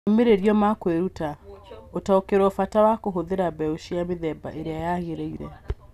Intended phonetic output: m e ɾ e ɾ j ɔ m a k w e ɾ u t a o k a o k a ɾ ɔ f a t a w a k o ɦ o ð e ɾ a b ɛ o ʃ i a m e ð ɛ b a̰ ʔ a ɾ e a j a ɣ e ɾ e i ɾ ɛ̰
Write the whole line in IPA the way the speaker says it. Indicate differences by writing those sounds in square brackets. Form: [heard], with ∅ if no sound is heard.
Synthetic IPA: m e ɾ e ɾ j ɔ m a k w e ɾ u t a o [t] a o k [e] ɾ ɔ f a t a w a k o ɦ o ð e ɾ a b ɛ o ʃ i a m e ð ɛ b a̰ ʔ [e] ɾ e a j a ɣ e ɾ e i ɾ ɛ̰